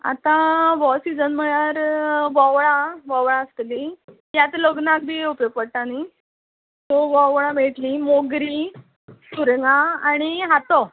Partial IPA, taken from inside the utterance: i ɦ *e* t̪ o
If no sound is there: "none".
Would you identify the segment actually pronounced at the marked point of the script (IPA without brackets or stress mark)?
a